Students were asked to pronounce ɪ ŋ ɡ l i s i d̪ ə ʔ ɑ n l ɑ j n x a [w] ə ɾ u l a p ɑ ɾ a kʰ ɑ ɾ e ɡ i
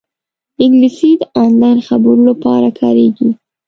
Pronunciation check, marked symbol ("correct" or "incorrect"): incorrect